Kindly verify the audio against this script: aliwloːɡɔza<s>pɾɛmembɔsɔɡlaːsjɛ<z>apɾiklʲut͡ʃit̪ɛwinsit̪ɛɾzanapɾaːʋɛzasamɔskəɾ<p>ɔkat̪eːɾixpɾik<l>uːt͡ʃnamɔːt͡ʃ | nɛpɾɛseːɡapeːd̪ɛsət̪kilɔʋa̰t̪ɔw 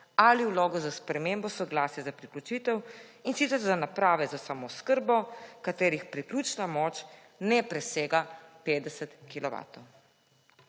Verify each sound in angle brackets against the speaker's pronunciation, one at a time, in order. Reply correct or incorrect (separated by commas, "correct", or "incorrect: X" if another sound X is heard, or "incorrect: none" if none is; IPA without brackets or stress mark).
correct, correct, incorrect: b, correct